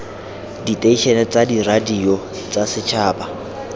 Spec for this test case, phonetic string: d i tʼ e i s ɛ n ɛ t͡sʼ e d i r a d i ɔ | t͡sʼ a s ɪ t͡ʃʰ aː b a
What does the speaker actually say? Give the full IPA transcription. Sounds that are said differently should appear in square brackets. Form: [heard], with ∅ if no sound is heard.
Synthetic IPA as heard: d i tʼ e i [ʃ] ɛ n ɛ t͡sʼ [a] d i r a d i ɔ | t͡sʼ a s ɪ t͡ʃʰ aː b a